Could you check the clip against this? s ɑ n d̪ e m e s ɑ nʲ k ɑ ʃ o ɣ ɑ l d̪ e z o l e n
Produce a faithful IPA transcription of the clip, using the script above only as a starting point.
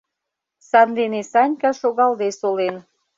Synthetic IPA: s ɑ n d̪ e n e s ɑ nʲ k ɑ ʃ o ɣ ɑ l d̪ e s o l e n